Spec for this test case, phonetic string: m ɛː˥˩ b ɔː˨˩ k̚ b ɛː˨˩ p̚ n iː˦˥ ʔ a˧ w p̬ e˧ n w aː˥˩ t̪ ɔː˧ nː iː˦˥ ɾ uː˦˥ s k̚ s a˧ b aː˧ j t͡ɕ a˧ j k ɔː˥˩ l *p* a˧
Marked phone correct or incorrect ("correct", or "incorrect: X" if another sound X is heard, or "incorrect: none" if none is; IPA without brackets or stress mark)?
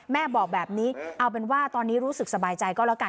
incorrect: k